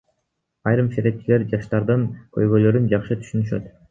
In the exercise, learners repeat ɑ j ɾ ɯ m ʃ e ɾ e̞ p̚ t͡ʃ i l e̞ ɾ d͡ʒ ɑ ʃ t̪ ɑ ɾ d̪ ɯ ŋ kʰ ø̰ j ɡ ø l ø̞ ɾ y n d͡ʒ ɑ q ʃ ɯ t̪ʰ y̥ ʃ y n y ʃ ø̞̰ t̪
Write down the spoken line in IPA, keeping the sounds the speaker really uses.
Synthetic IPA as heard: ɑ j ɾ ɯ m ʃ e ɾ e̞ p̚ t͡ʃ i l e̞ ɾ d͡ʒ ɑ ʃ t̪ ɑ ɾ d̪ ɯ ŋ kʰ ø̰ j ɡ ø l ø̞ ɾ y n d͡ʒ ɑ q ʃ ɯ t̪ʰ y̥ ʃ y n y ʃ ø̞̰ t̪